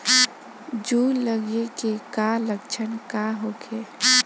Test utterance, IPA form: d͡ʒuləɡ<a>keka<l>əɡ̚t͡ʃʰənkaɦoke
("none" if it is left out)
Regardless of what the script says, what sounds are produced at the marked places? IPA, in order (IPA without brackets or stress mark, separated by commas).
e, l